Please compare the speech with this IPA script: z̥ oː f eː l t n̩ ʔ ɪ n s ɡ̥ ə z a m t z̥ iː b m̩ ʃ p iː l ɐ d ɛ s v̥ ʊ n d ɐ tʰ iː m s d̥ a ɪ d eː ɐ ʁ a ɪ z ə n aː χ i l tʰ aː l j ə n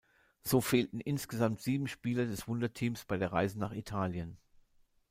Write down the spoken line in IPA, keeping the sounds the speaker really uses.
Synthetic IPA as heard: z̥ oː f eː l t n̩ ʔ ɪ n s ɡ̥ ə z a m t z̥ iː b m̩ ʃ p iː l ɐ d ɛ s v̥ ʊ n d ɐ tʰ iː m s b̥ a ɪ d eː ɐ ʁ a ɪ z ə n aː χ i tʰ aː l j ə n